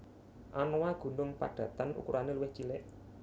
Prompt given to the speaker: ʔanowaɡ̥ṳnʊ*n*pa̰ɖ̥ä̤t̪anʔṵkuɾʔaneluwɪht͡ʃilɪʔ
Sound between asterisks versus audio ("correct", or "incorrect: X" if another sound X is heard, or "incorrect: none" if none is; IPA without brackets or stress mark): incorrect: ŋ